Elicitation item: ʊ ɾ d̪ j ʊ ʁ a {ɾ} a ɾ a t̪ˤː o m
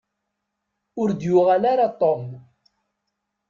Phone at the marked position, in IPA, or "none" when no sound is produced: l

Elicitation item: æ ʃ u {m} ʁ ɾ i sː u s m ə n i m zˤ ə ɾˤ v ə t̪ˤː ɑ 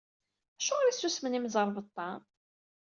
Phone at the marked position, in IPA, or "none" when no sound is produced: none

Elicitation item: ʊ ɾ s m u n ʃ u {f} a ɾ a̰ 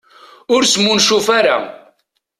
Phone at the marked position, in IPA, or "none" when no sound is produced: f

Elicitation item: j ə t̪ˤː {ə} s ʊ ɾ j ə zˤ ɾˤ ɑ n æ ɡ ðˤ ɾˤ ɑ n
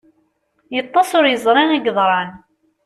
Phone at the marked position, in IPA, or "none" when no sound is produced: ɑ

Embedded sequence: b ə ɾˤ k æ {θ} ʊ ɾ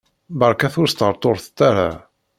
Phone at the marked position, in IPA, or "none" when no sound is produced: θ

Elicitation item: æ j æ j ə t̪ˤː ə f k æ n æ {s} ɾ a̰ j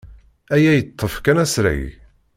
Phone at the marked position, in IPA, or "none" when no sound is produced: s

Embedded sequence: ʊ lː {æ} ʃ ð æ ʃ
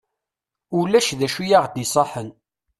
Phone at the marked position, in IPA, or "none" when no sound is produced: æ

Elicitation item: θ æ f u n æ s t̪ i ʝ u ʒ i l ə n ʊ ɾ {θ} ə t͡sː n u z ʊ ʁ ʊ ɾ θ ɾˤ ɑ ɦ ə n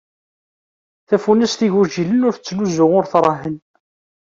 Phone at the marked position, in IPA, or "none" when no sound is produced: θ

